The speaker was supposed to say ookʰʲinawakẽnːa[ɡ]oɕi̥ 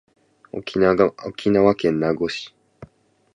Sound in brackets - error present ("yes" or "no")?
no